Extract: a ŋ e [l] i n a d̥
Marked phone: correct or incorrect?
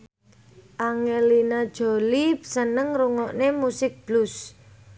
correct